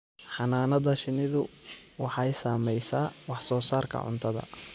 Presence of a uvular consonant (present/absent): absent